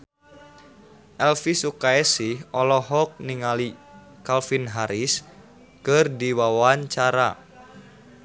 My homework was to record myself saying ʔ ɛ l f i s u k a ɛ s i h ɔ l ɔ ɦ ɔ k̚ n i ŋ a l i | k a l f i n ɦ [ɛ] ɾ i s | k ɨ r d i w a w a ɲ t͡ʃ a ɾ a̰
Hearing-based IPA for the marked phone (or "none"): a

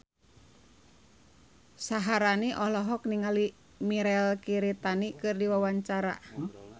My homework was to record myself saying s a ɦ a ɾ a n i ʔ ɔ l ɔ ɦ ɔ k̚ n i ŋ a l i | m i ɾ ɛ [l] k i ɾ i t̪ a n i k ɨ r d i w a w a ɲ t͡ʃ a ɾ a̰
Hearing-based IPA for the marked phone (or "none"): l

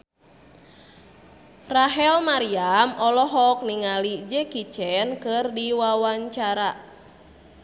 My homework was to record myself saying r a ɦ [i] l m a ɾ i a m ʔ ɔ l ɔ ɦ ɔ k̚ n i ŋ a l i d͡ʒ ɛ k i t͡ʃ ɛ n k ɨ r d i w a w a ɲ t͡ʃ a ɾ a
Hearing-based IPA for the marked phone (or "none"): ɛ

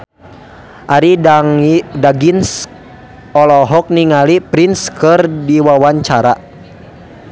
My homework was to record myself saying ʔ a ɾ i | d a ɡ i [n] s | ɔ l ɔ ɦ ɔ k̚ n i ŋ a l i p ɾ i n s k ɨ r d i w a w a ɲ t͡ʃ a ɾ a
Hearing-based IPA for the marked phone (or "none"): n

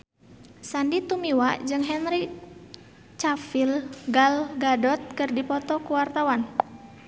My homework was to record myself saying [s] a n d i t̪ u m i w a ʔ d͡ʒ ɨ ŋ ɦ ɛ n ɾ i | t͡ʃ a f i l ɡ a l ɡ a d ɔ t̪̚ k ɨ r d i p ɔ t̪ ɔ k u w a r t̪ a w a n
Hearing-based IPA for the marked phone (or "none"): s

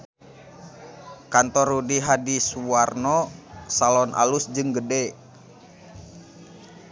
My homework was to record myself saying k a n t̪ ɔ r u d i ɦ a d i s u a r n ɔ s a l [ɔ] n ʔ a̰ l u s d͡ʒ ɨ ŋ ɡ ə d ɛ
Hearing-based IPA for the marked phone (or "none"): ɔ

